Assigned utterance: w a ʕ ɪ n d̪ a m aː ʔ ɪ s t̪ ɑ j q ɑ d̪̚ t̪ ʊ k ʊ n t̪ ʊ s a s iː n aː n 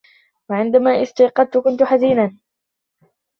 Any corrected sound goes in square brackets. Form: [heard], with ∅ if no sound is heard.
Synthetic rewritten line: w a ʕ ɪ n d̪ a m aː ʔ ɪ s t̪ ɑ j q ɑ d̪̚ t̪ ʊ k ʊ n t̪ ʊ [ħ] a [z] iː n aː n